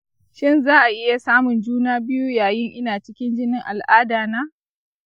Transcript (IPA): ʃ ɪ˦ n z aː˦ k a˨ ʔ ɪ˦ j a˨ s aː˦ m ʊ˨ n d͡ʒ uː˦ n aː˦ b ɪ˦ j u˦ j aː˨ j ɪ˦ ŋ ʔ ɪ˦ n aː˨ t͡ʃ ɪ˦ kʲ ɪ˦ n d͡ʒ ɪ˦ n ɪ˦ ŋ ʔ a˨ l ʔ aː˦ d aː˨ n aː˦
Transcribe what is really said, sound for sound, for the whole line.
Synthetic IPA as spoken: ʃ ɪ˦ n z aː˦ ʔ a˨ ʔ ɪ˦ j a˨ s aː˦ m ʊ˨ n d͡ʒ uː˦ n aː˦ b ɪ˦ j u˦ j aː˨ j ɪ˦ ŋ ʔ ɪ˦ n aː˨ t͡ʃ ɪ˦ kʲ ɪ˦ n d͡ʒ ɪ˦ n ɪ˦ ŋ ʔ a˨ l ʔ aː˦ d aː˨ n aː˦